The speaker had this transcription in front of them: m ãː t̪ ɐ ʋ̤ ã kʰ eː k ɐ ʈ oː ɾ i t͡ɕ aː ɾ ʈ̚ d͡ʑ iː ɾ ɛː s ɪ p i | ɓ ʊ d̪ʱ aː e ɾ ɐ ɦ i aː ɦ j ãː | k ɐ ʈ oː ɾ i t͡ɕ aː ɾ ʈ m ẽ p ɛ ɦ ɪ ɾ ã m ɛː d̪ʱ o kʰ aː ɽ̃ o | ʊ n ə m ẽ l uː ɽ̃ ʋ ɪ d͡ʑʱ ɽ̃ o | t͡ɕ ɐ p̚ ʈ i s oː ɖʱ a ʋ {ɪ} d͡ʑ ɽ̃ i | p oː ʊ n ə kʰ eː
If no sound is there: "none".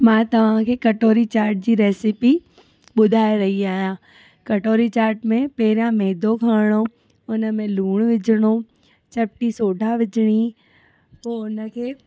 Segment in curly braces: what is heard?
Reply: ɪ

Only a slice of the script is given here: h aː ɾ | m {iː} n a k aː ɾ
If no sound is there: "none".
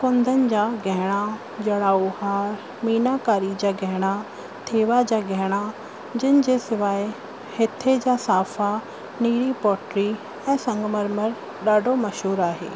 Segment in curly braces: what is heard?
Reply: iː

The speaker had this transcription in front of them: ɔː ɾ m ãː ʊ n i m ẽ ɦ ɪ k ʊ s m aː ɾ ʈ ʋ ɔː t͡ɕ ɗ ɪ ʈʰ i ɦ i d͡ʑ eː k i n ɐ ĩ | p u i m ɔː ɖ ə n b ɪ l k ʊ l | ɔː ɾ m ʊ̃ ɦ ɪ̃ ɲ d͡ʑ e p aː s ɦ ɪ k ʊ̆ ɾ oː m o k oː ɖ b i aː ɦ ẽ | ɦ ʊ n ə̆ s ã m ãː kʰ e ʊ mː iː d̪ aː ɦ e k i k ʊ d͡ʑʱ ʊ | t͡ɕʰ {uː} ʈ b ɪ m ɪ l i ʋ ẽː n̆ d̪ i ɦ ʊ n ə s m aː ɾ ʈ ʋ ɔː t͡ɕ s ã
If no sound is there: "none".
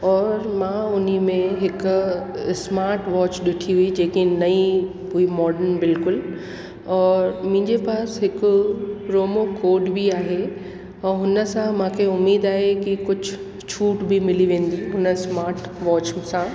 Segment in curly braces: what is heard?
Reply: uː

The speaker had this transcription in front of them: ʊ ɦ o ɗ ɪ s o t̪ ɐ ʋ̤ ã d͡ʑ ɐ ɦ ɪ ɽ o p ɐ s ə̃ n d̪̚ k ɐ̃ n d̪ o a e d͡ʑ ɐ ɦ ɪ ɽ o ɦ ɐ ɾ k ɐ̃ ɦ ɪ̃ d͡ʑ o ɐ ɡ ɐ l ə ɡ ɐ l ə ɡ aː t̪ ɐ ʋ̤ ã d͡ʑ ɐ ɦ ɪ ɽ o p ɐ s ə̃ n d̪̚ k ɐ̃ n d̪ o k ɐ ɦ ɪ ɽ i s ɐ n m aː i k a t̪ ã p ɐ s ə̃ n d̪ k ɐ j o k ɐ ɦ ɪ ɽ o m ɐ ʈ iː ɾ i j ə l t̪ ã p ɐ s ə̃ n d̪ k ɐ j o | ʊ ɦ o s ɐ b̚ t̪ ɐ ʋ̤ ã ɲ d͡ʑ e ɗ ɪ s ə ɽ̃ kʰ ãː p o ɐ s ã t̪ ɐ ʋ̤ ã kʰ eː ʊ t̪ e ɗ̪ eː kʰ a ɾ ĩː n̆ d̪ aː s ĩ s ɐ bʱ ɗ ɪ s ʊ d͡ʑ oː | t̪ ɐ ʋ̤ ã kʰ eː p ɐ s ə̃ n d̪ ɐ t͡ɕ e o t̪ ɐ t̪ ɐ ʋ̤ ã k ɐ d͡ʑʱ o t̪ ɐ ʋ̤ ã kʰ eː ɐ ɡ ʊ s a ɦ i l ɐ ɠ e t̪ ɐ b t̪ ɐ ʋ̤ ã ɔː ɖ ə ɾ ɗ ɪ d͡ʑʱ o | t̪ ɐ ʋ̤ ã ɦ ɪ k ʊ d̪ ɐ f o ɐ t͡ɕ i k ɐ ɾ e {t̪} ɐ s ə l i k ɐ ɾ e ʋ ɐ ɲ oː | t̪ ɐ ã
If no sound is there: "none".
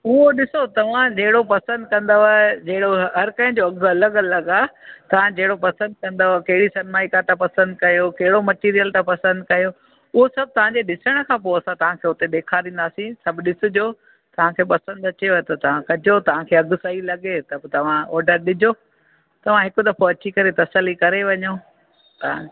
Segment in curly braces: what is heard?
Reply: t̪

